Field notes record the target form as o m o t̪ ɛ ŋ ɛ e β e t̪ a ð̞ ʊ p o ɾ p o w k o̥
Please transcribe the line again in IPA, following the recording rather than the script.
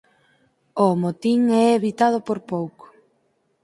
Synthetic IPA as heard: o m o t̪ i ŋ ɛ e β i t̪ a ð̞ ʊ p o ɾ p o w k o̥